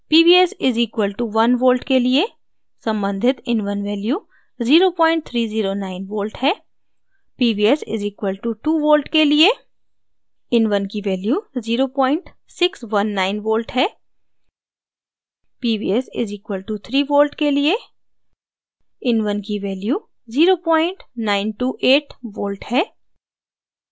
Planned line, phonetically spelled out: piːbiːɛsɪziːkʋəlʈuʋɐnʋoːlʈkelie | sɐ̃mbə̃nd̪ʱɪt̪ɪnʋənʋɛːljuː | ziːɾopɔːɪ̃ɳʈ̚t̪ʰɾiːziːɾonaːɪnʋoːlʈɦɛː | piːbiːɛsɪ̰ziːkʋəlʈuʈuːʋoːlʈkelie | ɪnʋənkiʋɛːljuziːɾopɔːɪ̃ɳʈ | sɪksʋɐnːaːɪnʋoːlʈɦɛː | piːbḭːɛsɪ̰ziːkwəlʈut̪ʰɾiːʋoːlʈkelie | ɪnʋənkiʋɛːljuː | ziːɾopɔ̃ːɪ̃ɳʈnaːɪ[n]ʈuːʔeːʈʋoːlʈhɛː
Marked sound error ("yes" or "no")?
no